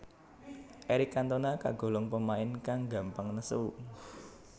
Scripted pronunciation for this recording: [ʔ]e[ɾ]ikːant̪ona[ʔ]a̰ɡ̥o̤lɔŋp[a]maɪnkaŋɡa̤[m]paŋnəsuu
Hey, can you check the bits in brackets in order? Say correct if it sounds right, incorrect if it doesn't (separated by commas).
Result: correct, correct, incorrect, incorrect, correct